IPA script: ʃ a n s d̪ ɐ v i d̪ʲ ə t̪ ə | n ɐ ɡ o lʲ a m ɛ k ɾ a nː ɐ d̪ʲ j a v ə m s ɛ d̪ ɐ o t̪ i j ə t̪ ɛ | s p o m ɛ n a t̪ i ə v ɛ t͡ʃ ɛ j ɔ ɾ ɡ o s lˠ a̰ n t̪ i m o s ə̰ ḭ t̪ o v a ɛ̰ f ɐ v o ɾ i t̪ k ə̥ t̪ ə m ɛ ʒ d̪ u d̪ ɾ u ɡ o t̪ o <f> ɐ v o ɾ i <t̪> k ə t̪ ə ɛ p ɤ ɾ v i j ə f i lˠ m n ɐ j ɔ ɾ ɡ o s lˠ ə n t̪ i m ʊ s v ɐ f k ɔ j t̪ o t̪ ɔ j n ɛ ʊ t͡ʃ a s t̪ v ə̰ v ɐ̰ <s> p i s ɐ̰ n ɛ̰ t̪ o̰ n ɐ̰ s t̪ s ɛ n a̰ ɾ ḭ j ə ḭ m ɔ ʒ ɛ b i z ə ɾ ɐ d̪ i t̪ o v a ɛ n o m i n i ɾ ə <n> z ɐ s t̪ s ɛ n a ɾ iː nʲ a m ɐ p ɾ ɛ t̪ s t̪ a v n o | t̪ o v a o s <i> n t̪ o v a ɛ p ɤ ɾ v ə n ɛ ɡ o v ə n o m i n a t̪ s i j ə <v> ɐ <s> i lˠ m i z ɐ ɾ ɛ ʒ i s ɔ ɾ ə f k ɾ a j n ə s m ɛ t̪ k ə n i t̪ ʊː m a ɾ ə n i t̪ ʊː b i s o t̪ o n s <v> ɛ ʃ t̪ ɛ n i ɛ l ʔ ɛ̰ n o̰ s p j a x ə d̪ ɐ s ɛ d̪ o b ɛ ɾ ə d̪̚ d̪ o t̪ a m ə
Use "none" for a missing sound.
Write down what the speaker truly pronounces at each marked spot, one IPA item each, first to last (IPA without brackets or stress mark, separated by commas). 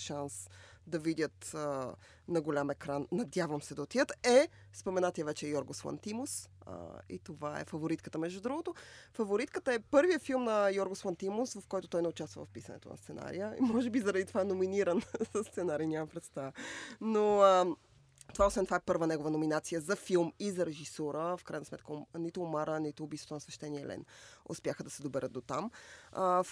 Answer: f, t̪, f, n, ɛ, z, f, v